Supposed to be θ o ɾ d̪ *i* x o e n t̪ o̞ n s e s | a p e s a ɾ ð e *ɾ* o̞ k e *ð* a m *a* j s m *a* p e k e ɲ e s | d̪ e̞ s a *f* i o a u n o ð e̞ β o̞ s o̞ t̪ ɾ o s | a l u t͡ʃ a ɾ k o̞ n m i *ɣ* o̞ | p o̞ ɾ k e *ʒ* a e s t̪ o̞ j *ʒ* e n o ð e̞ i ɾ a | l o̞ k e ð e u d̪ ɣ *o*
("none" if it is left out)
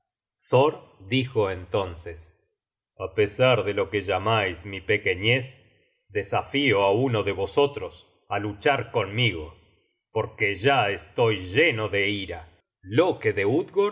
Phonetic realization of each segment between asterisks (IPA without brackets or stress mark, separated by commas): i, l, ʒ, a, i, f, ɣ, ʒ, ʒ, o